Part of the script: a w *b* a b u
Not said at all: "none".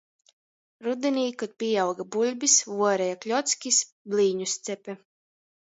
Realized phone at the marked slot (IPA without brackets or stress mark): ɡ